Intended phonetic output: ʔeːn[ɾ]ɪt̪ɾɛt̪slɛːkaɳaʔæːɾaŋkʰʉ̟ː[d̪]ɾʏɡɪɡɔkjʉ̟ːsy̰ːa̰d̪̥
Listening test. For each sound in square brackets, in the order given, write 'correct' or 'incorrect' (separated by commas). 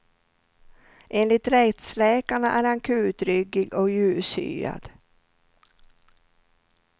incorrect, incorrect